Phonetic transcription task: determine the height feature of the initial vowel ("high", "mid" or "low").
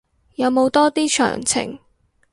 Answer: low